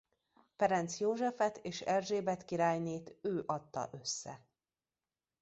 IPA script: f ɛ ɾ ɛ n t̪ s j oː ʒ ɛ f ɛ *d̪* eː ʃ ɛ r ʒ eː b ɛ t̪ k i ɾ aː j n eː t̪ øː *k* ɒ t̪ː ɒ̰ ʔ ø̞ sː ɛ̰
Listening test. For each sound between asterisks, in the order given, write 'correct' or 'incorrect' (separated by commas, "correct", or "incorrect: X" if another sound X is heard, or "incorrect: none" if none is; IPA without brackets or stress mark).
incorrect: t̪, incorrect: ʔ